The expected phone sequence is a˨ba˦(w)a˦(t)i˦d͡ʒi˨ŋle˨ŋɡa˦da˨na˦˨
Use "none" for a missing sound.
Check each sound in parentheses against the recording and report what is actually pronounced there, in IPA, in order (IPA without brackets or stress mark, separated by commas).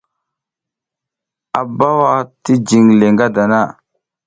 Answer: w, t